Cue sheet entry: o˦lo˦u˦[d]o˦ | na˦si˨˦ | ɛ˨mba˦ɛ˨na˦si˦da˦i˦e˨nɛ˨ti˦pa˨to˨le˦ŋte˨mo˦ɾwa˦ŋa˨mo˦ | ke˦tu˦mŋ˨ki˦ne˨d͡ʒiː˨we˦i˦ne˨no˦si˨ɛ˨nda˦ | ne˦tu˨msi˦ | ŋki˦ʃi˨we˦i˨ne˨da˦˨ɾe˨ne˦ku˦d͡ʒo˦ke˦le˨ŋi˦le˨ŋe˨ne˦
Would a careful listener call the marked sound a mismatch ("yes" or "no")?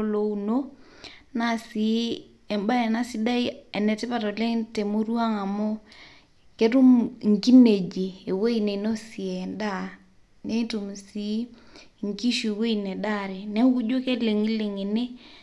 yes